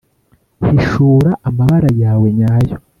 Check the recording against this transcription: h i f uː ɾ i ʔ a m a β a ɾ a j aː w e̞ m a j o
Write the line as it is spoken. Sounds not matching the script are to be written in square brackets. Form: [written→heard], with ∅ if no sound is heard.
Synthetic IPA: h i [f→ʃ] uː ɾ [i→a] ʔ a m a β a ɾ a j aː w e̞ [m→ɲ] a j o